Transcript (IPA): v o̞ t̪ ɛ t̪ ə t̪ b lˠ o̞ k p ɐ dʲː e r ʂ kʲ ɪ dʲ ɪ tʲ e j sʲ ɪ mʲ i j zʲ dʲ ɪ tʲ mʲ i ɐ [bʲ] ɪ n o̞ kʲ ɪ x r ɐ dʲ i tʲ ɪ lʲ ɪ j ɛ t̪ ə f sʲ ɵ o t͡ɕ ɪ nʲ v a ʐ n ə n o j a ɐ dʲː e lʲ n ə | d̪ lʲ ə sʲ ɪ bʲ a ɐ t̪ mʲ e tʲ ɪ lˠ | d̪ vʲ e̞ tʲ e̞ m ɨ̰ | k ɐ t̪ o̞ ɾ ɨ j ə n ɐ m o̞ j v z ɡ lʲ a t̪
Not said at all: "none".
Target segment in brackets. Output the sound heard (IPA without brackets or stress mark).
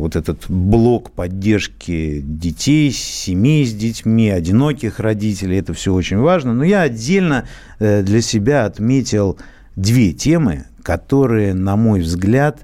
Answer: dʲ